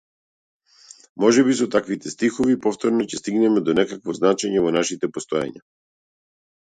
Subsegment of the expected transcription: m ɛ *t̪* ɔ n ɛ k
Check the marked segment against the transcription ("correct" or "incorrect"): incorrect